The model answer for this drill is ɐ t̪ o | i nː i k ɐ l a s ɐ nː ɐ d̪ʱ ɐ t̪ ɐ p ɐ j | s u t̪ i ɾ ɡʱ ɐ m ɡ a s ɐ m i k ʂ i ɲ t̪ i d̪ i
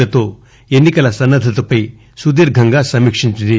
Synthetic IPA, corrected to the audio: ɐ t̪ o | e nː i k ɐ l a s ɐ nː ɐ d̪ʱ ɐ t̪ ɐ p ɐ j | s u d̪ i ɾ ɡʱ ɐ ŋ ɡ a s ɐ m i k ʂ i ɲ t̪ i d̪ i

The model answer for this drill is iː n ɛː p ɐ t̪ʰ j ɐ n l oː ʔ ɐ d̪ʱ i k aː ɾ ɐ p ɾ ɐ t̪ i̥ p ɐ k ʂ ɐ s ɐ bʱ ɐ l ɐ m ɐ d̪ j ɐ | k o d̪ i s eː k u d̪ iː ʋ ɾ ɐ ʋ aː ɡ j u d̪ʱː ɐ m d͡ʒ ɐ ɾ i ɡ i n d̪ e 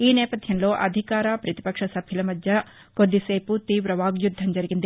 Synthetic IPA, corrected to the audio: iː n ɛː p ɐ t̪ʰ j ɐ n l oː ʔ ɐ d̪ʱ i k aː ɾ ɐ p ɾ ɐ t̪ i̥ p ɐ k ʂ ɐ s ɐ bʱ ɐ l ɐ m ɐ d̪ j ɐ | k o d̪ i s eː p u t̪ iː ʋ ɾ ɐ ʋ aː ɡ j u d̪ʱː ɐ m d͡ʒ ɐ ɾ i ɡ i n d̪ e

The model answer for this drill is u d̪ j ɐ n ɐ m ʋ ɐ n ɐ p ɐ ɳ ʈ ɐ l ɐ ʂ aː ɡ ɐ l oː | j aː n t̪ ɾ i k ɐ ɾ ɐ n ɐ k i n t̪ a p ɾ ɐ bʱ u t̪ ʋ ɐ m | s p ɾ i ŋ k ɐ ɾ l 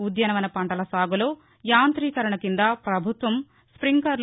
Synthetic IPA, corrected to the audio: u d̪ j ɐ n ɐ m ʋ ɐ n ɐ p ɐ ɳ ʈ ɐ l ɐ s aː ɡ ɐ l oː | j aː n t̪ ɾ iː k ɐ ɾ ɐ ɳ ɐ k i n d̪ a p ɾ ɐ bʱ u t̪ ʋ ɐ m | s p ɾ i ŋ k ɐ ɾ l

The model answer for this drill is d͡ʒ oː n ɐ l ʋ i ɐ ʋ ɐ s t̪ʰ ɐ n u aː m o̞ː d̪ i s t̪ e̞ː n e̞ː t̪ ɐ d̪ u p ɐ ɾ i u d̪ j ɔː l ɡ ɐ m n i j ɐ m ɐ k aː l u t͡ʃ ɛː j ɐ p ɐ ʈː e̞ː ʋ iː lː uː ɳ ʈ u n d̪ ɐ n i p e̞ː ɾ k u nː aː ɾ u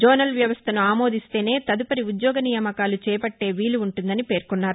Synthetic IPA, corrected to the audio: d͡ʒ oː n ɐ l ʋ j ɐ ʋ ɐ s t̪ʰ ɐ n u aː m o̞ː d̪ i s t̪ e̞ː n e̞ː t̪ ɐ d̪ u p ɐ ɾ i u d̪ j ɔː ɡ ɐ n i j ɐ m ɐ k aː l u t͡ʃ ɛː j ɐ p ɐ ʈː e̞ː ʋ iː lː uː ɳ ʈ u n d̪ ɐ n i p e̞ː ɾ k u nː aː ɾ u

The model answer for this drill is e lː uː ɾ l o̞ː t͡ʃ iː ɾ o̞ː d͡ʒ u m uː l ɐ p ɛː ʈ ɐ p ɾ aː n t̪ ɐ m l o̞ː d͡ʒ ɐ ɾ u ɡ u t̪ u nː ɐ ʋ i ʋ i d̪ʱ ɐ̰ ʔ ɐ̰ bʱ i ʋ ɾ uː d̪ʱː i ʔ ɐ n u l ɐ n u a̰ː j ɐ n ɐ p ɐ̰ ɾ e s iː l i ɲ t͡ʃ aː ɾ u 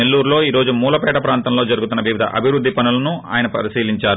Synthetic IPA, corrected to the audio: e lː uː ɾ l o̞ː iː ɾ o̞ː d͡ʒ u m uː l ɐ p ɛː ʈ ɐ p ɾ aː n t̪ ɐ m l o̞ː d͡ʒ ɐ ɾ u ɡ u t̪ u nː ɐ ʋ i ʋ i d̪ʱ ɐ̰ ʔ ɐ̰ bʱ i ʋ ɾ u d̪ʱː i p ɐ n u l ɐ n u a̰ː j ɐ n ɐ p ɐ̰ ɾ i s iː l i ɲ t͡ʃ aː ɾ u

